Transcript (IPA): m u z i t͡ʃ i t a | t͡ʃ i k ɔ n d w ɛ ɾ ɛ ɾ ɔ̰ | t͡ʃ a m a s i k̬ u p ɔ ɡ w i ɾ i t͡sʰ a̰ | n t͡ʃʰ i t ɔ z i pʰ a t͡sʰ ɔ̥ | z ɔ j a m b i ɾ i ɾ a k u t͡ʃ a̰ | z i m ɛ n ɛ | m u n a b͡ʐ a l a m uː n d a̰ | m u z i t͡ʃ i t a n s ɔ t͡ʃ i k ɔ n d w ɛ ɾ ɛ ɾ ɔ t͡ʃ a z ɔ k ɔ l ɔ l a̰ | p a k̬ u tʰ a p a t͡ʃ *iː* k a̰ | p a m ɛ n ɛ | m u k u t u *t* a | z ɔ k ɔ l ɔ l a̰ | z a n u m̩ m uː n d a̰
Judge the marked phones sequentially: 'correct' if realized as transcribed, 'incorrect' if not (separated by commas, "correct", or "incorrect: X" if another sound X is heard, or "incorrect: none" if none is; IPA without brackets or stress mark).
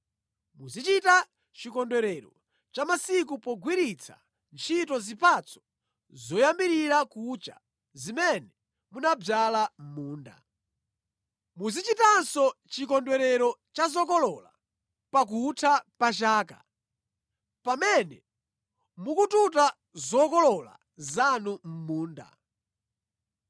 incorrect: aː, correct